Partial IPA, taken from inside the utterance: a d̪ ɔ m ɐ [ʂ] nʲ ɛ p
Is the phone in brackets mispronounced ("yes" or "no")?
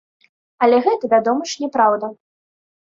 no